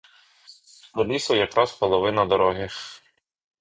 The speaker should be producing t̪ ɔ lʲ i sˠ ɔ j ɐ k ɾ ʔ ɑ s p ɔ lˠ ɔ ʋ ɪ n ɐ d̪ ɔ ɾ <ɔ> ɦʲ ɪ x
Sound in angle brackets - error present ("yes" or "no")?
no